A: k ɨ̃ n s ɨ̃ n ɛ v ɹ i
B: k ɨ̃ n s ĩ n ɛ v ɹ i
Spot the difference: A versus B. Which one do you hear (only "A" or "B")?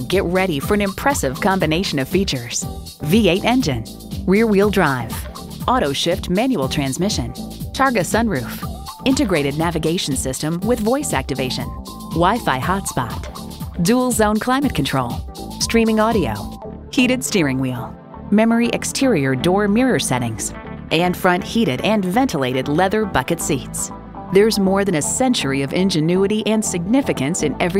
A